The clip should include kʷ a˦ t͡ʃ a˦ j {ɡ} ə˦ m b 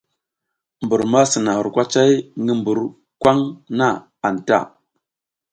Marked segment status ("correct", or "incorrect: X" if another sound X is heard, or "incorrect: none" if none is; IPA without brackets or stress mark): incorrect: ŋ